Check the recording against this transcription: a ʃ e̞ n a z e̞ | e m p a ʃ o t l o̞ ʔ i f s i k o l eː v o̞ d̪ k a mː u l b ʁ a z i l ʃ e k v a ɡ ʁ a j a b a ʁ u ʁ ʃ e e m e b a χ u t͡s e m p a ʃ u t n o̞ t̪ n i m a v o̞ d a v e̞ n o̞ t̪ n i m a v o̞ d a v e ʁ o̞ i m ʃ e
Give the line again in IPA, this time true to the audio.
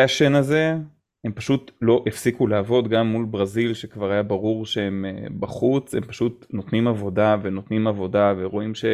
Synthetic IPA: a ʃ e̞ n a z e̞ | e m p a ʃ u t l o̞ ʔ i f s i k u l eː v o̞ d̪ ɡ a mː u l b ʁ a z i l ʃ e k v a ʁ a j a b a ʁ u ʁ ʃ e e m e b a χ u t͡s e m p a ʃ u t n o̞ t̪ n i m a v o̞ d a v e̞ n o̞ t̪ n i m a v o̞ d a v e ʁ o̞ i m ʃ e